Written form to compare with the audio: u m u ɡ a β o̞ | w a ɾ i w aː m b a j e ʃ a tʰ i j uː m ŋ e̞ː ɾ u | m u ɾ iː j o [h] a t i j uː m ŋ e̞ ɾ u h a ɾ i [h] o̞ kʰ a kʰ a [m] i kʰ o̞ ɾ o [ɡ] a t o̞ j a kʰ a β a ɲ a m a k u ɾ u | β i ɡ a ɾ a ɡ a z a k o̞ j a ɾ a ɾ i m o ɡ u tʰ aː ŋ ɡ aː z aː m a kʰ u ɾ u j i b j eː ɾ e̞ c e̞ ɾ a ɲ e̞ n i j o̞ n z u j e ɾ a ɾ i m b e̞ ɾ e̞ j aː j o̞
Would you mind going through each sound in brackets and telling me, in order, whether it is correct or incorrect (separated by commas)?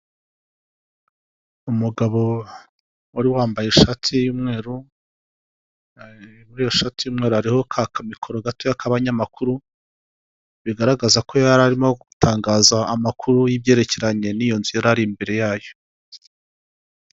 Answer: incorrect, correct, correct, correct